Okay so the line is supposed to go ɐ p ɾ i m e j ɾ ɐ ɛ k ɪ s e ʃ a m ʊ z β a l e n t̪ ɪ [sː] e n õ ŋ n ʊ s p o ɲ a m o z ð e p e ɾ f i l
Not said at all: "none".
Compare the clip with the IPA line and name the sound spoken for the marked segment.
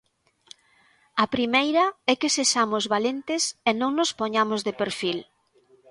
s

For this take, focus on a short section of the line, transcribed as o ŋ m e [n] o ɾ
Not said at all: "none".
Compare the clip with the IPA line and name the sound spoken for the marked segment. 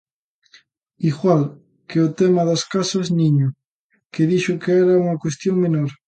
n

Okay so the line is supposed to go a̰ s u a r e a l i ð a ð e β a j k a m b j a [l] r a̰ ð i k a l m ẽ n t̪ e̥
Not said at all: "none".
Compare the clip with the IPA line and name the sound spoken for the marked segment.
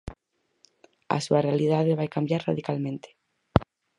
ɾ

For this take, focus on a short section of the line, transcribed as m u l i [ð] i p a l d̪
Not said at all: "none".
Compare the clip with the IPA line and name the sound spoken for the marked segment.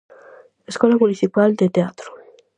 θ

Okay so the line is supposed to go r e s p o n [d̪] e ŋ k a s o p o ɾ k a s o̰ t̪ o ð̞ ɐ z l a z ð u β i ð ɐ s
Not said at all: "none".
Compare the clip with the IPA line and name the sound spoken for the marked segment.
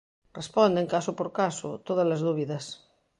d̪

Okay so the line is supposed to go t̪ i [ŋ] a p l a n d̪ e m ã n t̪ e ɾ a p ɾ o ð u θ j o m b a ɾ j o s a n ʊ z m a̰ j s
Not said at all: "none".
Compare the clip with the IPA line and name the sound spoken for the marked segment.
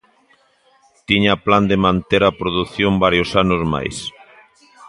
ɲ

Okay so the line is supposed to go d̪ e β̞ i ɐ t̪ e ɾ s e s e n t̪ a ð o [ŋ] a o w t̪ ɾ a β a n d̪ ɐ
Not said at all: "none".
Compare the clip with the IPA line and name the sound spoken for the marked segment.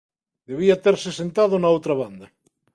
n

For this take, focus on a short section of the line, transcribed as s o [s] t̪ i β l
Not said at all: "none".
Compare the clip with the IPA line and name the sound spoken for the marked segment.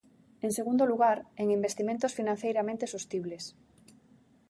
s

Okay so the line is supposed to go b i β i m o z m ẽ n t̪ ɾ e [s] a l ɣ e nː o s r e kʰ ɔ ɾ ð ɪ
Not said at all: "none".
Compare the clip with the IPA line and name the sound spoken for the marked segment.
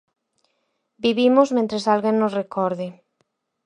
s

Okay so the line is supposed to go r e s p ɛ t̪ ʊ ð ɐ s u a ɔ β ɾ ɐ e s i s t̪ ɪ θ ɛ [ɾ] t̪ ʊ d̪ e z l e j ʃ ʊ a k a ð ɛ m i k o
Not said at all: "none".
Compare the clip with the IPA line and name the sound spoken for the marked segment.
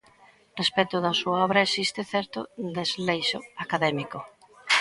ɾ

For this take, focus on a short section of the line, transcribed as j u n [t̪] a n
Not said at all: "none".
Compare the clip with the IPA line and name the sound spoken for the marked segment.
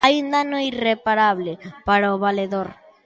d̪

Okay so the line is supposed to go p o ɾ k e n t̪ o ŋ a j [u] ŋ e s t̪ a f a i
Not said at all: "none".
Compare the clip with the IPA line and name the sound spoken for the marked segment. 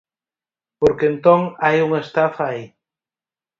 u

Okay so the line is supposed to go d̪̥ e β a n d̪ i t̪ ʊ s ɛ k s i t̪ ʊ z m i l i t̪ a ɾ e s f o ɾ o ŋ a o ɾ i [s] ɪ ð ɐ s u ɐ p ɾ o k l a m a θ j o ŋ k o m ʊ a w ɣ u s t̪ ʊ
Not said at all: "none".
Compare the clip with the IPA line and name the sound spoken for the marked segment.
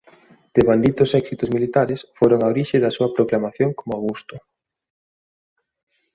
ʃ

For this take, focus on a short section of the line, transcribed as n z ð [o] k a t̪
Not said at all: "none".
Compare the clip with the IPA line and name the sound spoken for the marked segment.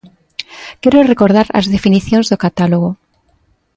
o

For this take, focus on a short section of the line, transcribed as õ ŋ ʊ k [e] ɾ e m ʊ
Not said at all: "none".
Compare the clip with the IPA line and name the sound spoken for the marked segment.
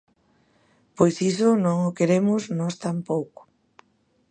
e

